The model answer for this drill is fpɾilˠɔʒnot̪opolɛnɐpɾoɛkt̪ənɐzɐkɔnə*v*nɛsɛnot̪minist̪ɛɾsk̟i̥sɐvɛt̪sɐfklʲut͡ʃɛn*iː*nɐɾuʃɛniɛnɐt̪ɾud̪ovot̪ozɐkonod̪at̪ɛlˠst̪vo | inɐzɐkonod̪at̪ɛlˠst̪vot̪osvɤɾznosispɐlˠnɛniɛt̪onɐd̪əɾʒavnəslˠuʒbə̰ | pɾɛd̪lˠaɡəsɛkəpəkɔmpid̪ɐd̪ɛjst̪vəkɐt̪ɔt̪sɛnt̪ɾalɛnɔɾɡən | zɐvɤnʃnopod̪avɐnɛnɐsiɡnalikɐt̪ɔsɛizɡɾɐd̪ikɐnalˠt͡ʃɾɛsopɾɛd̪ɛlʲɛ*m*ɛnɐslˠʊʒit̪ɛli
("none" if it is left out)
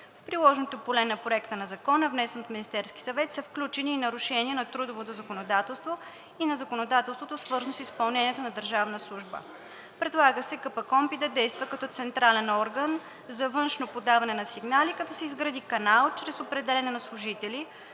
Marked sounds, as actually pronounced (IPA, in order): v, iː, n

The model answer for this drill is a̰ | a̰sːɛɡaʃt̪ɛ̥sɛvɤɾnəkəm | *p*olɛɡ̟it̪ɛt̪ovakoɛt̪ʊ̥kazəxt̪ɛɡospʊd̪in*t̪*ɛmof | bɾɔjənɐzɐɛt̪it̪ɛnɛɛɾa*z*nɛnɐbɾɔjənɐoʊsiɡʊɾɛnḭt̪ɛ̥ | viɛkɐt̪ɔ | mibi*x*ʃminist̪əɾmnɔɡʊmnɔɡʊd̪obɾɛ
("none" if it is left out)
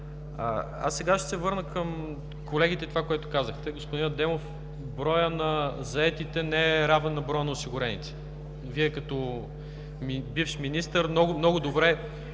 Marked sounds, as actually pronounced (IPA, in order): k, d̪, v, f

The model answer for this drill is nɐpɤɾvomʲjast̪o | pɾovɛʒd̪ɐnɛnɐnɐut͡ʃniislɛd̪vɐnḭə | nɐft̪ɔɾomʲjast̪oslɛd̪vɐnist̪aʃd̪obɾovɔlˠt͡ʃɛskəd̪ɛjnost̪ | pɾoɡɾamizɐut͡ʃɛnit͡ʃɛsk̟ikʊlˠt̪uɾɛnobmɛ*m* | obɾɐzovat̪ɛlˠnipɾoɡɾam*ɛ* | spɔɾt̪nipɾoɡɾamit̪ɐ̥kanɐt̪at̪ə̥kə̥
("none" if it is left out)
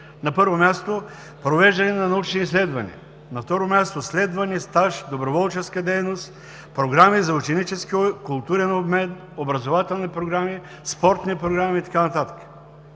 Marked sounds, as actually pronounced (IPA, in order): n, i

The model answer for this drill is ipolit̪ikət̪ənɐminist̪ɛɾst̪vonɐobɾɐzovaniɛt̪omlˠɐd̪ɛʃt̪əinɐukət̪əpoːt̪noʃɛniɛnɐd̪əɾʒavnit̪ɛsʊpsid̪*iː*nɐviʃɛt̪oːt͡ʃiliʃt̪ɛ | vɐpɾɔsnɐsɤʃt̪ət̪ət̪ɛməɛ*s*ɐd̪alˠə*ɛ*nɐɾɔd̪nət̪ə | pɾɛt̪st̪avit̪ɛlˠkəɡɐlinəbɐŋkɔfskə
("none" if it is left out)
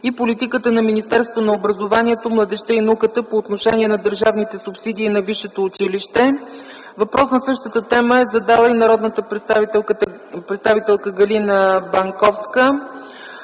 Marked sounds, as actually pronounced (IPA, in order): iː, z, i

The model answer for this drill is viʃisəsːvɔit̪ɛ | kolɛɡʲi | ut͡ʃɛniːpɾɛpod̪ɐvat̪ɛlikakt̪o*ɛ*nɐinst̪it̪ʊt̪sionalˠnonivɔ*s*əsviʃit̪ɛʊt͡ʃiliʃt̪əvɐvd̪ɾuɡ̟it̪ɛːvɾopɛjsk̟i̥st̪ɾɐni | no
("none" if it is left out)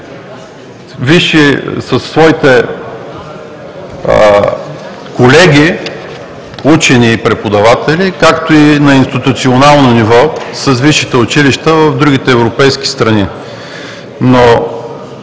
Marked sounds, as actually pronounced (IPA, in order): i, s

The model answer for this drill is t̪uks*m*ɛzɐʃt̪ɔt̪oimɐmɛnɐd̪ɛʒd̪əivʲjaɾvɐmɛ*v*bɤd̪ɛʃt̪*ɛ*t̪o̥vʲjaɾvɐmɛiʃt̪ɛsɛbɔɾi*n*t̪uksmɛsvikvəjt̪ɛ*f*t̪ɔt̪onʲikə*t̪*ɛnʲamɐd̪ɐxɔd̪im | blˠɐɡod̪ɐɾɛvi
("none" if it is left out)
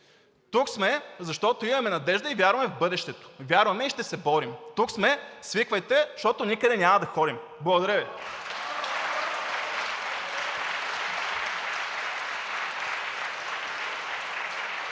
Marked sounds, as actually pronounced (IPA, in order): m, v, ɛ, m, ʃ, d̪

